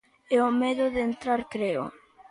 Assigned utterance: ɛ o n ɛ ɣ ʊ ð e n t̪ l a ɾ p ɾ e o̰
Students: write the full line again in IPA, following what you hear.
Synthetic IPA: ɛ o m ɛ ð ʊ ð e n t̪ ɾ a ɾ k ɾ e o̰